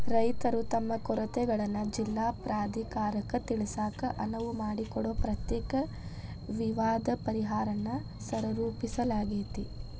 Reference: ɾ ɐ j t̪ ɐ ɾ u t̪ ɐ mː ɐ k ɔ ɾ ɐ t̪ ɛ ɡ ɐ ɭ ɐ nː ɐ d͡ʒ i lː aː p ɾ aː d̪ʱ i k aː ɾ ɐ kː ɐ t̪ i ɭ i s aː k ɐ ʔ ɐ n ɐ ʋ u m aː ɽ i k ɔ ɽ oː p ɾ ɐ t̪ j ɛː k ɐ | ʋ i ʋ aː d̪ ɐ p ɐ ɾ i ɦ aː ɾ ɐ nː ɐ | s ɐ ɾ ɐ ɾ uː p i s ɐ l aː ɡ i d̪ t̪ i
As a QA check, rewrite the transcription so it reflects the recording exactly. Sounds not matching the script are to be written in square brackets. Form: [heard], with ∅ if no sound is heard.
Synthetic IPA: ɾ ɐ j t̪ ɐ ɾ u t̪ ɐ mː ɐ k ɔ ɾ ɐ t̪ ɛ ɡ ɐ ɭ ɐ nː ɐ d͡ʒ i lː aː p ɾ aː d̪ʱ i k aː ɾ ɐ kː ɐ t̪ i ɭ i s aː k ɐ ʔ ɐ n ɐ ʋ u m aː ɽ i k ɔ ɽ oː p ɾ ɐ t̪ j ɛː k ɐ | ʋ i ʋ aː d̪ ɐ p ɐ ɾ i ɦ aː ɾ ɐ nː ɐ | s ɐ ɾ ɐ ɾ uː p i s ɐ l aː ɡ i [∅] t̪ i